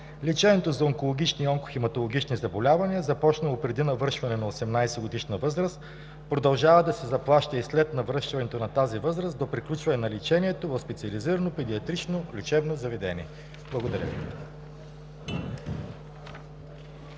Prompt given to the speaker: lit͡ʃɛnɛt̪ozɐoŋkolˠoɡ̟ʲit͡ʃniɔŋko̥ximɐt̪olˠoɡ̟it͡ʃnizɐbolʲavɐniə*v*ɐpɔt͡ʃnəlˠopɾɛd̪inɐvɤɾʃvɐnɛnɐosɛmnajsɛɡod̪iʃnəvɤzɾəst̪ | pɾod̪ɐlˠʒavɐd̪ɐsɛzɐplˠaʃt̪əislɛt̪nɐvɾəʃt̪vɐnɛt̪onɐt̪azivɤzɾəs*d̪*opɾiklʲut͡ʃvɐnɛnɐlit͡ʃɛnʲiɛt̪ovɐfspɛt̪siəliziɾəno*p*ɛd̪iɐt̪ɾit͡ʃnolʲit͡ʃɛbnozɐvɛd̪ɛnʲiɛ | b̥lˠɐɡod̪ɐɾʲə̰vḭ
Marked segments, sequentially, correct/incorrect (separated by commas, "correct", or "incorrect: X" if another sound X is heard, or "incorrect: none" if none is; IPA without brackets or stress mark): incorrect: z, correct, correct